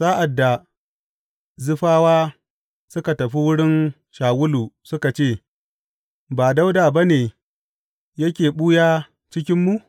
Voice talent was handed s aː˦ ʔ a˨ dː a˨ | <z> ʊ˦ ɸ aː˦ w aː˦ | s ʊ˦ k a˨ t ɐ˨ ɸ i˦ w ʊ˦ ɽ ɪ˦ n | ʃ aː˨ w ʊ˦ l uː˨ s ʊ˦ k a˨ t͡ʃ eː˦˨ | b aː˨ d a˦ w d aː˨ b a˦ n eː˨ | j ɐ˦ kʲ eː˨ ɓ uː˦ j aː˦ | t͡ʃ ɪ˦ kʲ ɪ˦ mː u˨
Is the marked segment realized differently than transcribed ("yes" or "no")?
no